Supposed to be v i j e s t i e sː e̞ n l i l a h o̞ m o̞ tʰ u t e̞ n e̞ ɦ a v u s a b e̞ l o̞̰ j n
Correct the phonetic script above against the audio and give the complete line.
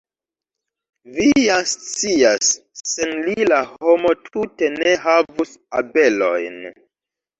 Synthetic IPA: v i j a s t͡s i a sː e̞ n l i l a h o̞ m o̞ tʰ u t e̞ n e̞ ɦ a v u s a b e̞ l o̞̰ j n